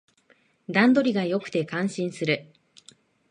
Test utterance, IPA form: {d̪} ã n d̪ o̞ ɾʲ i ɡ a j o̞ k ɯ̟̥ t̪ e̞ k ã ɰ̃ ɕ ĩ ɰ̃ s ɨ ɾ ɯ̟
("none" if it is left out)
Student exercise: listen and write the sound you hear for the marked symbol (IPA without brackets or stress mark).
d̪